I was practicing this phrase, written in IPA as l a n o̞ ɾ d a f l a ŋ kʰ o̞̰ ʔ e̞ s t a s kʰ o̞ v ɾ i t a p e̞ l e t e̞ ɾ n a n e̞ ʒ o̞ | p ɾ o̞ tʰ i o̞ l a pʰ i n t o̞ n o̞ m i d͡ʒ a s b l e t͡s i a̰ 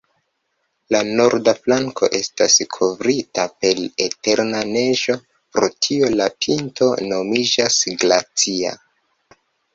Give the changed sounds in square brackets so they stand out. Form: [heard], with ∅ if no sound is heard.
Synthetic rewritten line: l a n o̞ ɾ d a f l a ŋ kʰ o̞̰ ʔ e̞ s t a s kʰ o̞ v ɾ i t a p e̞ l e t e̞ ɾ n a n e̞ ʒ o̞ | p ɾ o̞ tʰ i o̞ l a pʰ i n t o̞ n o̞ m i d͡ʒ a s [ɡ] l [a] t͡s i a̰